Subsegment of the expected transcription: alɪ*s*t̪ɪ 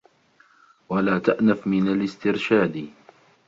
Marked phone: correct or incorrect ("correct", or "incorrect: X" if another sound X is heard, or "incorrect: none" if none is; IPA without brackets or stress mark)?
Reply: correct